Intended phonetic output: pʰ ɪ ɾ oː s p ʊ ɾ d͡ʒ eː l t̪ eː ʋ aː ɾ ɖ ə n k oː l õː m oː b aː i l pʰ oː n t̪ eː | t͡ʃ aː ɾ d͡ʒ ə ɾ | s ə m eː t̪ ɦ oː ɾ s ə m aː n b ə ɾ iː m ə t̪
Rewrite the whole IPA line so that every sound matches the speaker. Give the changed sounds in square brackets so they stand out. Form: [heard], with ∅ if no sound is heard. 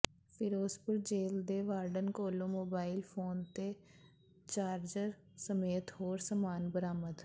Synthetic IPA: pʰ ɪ ɾ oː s p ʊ ɾ d͡ʒ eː l [d̪] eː ʋ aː ɾ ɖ ə n k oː l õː m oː b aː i l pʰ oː n t̪ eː | t͡ʃ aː ɾ d͡ʒ ə ɾ | s ə m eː t̪ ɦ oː ɾ s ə m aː n b ə ɾ [aː] m ə [d̪]